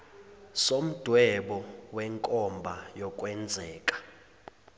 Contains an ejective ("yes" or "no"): yes